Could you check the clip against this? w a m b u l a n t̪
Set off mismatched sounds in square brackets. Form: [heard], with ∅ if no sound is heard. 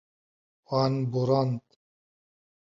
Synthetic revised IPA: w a [n] b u [ɾ] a n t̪